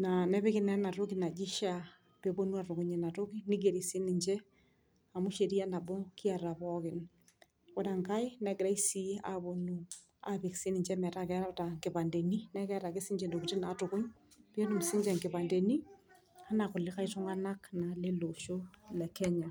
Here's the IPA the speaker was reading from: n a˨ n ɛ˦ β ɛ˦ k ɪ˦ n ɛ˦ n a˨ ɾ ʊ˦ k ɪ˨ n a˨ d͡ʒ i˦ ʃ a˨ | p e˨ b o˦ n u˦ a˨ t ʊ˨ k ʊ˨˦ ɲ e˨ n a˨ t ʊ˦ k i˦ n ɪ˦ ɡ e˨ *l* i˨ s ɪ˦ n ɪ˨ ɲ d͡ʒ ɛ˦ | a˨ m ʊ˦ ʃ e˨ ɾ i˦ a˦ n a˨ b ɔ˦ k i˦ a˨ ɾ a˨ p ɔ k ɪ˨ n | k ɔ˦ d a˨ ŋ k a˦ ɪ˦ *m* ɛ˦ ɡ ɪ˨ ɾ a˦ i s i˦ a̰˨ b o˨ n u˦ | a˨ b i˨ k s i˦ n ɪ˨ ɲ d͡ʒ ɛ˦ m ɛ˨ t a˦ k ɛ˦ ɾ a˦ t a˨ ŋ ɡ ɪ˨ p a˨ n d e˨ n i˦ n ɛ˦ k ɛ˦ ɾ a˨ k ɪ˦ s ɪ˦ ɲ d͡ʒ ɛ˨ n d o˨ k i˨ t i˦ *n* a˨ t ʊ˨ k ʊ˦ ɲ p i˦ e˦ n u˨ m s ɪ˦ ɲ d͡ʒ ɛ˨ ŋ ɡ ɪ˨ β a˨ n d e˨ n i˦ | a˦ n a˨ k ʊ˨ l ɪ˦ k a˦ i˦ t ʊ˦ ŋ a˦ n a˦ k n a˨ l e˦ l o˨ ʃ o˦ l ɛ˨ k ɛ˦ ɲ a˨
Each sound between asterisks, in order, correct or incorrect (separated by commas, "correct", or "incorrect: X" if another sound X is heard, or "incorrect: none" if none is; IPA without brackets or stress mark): incorrect: ɾ, incorrect: n, correct